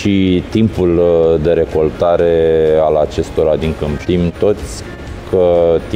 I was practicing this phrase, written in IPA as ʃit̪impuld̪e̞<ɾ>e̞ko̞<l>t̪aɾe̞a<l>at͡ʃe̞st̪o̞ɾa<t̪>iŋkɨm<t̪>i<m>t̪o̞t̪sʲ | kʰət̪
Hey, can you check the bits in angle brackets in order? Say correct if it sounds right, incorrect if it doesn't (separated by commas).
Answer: correct, correct, correct, incorrect, correct, correct